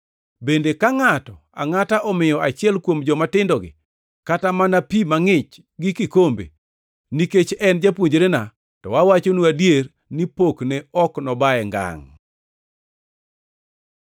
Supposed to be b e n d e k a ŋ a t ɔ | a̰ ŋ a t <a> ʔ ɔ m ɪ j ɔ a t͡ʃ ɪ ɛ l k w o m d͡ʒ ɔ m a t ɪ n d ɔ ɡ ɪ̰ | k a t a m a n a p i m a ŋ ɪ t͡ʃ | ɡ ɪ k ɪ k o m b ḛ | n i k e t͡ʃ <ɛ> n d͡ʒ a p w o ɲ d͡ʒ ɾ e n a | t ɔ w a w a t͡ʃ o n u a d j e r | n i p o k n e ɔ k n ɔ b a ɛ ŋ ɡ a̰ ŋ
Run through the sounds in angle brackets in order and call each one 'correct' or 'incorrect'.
correct, correct

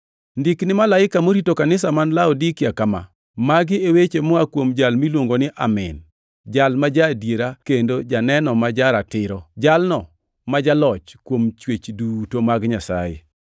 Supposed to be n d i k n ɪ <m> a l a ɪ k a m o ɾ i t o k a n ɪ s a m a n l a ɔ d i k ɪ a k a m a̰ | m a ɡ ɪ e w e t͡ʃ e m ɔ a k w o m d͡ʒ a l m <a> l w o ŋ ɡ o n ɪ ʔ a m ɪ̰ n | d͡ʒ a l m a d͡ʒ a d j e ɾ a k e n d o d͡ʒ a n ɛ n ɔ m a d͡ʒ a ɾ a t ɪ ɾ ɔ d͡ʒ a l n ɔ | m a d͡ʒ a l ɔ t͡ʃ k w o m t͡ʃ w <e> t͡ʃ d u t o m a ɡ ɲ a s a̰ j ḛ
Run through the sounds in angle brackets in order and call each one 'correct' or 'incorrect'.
correct, incorrect: i, correct

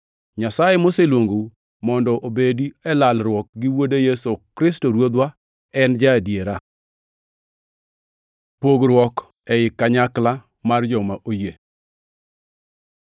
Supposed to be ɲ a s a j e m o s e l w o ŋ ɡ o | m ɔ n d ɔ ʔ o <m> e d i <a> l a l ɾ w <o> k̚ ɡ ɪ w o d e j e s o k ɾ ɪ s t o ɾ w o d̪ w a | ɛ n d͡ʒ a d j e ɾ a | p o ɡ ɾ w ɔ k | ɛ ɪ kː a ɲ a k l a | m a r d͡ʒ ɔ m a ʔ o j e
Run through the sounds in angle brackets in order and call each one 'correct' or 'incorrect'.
incorrect: b, incorrect: ɛ, incorrect: ɔ

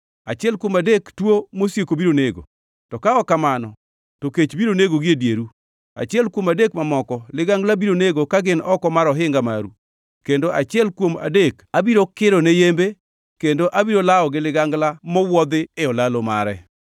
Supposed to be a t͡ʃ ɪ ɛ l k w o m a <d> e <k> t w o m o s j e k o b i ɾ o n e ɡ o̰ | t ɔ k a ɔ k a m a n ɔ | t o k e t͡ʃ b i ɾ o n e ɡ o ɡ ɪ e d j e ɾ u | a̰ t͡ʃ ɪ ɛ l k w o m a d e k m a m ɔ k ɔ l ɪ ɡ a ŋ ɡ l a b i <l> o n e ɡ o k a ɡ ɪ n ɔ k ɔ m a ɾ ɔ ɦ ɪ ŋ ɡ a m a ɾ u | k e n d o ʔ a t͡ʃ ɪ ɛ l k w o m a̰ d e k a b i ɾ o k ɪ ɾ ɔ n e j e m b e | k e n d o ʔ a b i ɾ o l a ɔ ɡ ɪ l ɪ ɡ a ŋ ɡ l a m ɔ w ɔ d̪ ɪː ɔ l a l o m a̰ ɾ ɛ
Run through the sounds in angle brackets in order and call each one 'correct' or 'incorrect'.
correct, correct, incorrect: ɾ

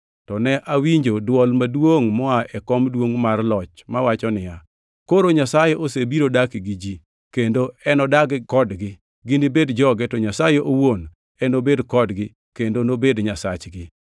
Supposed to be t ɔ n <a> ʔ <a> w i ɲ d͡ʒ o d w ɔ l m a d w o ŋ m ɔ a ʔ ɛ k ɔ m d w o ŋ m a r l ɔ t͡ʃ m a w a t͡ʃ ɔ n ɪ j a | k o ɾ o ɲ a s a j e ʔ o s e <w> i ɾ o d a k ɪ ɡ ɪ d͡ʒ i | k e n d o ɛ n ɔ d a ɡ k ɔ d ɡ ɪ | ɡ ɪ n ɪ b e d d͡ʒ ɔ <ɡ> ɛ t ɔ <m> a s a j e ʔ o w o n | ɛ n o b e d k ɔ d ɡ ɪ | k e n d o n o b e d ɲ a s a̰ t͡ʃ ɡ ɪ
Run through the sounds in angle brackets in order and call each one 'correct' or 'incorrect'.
incorrect: ɛ, correct, incorrect: b, correct, incorrect: ɲ

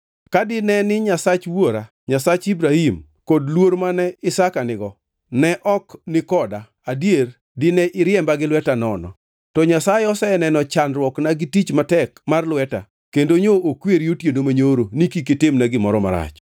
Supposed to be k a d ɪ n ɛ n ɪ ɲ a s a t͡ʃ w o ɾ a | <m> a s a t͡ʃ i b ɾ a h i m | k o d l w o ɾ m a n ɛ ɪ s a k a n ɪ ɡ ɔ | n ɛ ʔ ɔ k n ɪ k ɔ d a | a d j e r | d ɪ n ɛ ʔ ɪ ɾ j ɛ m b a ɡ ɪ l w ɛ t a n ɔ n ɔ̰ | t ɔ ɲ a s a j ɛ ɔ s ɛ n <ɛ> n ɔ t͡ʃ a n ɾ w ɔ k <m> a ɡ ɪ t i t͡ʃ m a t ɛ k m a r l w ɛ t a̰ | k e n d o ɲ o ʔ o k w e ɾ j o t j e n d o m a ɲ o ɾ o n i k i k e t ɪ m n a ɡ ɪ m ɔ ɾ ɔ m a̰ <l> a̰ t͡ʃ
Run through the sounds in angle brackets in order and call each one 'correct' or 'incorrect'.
incorrect: ɲ, correct, incorrect: n, incorrect: ɾ

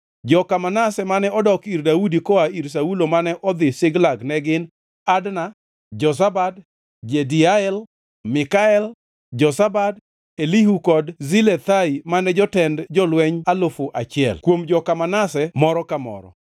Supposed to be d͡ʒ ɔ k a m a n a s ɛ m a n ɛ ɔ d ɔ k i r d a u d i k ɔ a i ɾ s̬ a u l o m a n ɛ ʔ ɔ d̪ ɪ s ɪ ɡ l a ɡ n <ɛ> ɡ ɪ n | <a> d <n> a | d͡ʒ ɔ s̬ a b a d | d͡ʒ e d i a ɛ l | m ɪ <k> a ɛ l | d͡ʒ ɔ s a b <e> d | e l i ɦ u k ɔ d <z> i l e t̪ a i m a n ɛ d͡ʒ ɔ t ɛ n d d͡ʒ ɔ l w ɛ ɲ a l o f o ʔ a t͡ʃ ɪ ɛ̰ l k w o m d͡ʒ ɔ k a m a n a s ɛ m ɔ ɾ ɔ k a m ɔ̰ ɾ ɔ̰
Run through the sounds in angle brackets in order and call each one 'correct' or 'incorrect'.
correct, correct, correct, correct, incorrect: a, correct

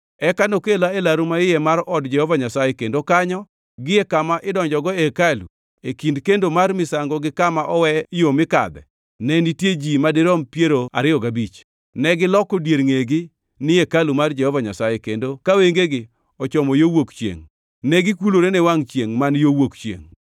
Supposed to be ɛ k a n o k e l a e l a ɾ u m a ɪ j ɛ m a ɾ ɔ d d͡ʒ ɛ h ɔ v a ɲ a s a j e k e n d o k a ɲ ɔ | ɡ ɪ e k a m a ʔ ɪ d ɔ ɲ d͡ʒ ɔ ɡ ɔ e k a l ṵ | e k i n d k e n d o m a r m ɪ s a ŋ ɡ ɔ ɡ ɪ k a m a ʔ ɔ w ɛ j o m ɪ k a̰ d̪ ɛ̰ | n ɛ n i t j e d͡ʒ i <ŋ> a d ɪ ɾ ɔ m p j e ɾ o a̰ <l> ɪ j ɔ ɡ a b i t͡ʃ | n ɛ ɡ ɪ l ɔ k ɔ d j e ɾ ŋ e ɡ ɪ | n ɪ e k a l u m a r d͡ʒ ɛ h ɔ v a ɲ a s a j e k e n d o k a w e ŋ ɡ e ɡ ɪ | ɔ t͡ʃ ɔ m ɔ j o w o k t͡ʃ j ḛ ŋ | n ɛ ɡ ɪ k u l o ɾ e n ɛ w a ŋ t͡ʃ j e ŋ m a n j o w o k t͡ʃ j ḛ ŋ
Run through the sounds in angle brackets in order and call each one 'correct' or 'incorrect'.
incorrect: m, incorrect: ɾ

